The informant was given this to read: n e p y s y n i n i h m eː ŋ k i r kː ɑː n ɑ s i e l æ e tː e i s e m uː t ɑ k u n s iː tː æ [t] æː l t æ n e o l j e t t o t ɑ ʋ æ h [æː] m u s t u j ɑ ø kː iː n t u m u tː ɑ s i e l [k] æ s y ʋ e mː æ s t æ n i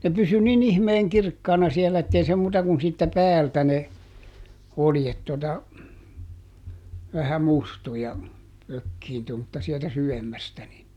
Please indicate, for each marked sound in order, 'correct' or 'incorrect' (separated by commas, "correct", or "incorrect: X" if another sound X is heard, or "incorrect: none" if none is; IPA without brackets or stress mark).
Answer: incorrect: p, incorrect: æ, incorrect: t